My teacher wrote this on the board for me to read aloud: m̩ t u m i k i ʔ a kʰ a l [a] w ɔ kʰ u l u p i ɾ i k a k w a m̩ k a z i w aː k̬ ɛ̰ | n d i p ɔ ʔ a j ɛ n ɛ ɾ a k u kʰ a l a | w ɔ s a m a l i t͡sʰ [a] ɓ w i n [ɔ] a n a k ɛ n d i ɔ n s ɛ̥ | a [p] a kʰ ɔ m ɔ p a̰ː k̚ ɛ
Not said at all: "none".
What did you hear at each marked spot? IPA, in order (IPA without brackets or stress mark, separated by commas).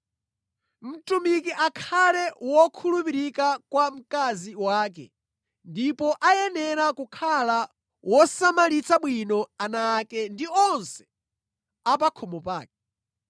ɛ, a, ɔ, p